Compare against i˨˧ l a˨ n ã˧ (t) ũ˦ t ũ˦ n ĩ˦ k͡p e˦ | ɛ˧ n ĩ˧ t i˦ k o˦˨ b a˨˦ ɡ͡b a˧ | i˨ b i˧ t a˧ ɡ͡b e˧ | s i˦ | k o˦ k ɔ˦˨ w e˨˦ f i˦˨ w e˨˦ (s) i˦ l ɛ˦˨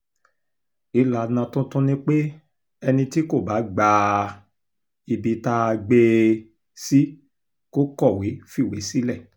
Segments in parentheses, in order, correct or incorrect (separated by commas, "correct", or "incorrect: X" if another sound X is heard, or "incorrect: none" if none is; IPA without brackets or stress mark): correct, correct